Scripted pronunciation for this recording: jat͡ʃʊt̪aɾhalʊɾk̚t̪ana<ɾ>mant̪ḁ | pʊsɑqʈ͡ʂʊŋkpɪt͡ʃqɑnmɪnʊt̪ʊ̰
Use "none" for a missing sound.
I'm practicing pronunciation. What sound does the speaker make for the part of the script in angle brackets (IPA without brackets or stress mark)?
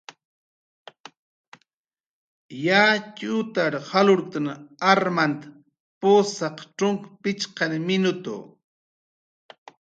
ɾ